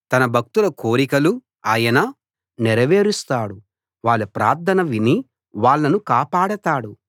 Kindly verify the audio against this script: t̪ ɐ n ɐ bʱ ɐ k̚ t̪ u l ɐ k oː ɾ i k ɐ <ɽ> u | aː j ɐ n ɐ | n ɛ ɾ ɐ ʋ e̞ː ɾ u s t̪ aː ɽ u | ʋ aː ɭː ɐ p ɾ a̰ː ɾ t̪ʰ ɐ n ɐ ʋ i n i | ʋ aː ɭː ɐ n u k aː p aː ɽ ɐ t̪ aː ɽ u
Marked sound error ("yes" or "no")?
yes